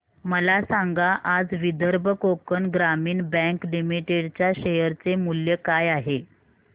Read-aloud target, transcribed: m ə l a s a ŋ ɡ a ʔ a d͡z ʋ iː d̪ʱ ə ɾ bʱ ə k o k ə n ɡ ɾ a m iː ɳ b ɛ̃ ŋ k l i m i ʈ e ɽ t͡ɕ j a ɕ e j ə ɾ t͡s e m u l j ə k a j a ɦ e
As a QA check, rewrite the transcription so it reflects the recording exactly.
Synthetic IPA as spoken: m ə l a s a ŋ ɡ a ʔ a d͡z ʋ i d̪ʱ ə ɾ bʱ ə k o k ə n ɡ ɾ a m iː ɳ b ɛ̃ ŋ k l i m i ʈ e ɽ t͡ɕ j a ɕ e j ə ɾ t͡s e m u l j ə k a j a ɦ e